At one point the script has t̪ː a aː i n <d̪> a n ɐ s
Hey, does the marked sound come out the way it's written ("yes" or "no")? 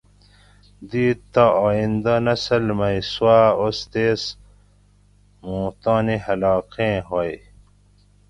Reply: yes